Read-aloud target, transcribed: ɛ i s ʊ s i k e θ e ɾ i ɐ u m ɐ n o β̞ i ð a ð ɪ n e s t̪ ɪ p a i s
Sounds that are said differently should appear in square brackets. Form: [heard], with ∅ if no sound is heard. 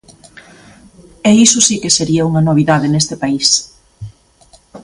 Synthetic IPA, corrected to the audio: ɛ i s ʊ s i k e [s] e ɾ i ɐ u [ŋ] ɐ n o β̞ i ð a ð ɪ n e s t̪ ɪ p a i s